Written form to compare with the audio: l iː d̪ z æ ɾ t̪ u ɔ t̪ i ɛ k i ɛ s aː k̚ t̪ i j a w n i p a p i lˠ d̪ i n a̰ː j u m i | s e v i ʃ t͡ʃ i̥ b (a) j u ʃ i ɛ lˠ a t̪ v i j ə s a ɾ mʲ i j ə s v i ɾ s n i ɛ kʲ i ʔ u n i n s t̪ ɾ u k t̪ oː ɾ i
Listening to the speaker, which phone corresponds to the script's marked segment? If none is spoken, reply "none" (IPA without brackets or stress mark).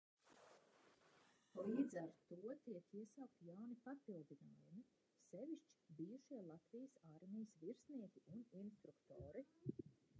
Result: i